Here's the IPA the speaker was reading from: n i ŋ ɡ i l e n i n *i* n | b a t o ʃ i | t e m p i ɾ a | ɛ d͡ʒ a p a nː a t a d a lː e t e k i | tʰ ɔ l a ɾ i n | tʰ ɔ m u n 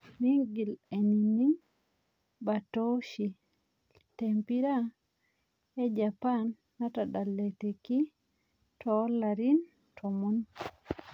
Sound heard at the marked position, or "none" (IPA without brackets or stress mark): i